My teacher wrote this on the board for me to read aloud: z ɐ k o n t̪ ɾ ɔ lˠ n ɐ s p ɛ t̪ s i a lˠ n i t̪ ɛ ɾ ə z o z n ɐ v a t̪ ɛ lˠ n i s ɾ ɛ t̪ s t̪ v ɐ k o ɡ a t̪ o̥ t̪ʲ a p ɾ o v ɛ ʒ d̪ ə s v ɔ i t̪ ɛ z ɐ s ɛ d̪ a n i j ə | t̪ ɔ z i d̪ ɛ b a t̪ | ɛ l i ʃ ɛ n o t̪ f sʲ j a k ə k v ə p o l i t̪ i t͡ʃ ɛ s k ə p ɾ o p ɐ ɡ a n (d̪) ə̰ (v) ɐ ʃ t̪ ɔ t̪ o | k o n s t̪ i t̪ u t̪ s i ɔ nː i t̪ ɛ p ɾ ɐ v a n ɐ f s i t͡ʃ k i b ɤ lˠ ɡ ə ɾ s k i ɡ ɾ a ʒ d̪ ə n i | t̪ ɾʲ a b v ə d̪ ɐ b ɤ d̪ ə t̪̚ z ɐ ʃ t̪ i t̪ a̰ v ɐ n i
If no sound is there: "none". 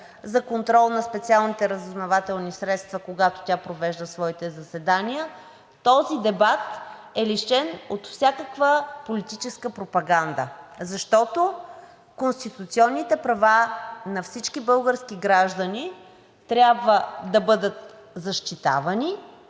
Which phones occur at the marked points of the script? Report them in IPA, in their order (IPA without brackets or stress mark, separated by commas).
d̪, z